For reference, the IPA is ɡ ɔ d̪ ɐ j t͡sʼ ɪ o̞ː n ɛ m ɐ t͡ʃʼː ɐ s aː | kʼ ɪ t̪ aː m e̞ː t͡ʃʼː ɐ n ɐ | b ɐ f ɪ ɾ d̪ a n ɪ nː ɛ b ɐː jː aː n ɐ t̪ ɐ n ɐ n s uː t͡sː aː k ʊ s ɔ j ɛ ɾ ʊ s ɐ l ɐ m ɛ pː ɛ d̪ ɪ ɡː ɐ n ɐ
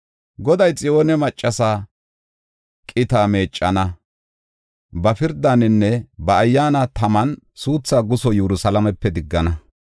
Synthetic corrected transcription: ɡ ɔ d̪ ɐ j t͡sʼ ɪ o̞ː n ɛ m ɐ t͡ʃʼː ɐ s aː | kʼ ɪ t̪ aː m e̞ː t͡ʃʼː ɐ n ɐ | b ɐ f ɪ ɾ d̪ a n ɪ nː ɛ b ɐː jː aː n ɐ t̪ ɐ m ɐ n s uː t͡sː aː ɡ ʊ s ɔ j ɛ ɾ ʊ s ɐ l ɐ m ɛ pː ɛ d̪ ɪ ɡː ɐ n ɐ